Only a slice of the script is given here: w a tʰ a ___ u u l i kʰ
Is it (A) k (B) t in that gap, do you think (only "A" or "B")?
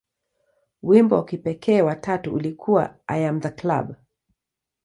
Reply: B